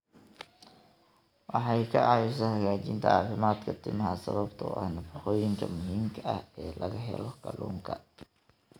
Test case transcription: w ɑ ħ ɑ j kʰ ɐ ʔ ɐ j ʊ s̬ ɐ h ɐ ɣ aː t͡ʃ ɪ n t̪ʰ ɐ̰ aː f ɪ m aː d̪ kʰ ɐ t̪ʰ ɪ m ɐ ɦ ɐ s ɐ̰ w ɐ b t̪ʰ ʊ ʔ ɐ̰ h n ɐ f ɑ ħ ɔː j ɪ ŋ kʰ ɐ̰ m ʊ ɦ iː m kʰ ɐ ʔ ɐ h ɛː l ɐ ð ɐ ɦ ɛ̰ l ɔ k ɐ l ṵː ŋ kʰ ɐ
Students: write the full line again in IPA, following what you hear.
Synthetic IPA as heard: w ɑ ħ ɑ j kʰ ɐ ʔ ɑ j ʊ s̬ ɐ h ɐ ɣ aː t͡ʃ ɪ n t̪ʰ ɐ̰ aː f ɪ m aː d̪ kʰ ɐ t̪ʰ ɪ m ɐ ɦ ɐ s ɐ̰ β ɐ b t̪ʰ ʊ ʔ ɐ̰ h n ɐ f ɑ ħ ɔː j ɪ ŋ kʰ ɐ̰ m ʊ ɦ iː m kʰ ɐ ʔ ɐ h ɛː l ɐ ɣ ɐ ɦ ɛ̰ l ɔ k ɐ l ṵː ŋ kʰ ɐ